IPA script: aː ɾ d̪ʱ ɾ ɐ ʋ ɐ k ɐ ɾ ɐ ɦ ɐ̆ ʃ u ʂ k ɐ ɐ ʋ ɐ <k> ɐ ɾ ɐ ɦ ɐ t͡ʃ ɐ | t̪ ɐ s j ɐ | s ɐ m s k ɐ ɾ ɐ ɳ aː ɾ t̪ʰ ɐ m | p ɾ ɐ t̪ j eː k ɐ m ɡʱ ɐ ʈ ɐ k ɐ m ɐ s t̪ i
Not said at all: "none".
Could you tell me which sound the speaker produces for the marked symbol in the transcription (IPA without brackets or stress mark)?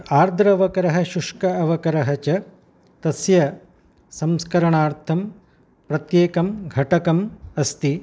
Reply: k